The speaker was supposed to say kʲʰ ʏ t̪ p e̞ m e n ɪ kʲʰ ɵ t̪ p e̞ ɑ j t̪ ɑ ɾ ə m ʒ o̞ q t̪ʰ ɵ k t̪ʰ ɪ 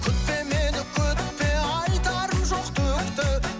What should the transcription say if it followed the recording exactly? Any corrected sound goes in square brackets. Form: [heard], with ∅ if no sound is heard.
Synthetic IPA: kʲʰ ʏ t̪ p e̞ m e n ɪ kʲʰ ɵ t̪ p e̞ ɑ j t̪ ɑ ɾ ə m ʒ o̞ q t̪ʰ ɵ k [t̪] ɪ